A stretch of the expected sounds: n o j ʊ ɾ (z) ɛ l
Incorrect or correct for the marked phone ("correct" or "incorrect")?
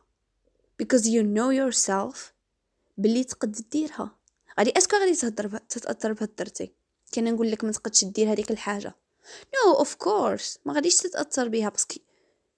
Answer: incorrect